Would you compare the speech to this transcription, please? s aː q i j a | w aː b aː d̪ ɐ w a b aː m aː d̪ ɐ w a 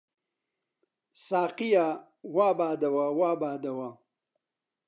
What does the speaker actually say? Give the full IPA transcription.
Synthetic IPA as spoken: s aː q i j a | w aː b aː d̪ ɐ w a w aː b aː d̪ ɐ w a